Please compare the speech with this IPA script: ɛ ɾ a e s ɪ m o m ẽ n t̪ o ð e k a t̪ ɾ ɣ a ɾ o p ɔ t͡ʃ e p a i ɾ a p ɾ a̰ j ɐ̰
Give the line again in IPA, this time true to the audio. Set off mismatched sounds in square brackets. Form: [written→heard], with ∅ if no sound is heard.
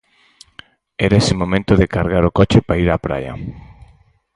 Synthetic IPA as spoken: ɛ ɾ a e s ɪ m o m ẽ n t̪ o ð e k a [t̪→∅] ɾ ɣ a ɾ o [p→k] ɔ t͡ʃ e p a i ɾ a p ɾ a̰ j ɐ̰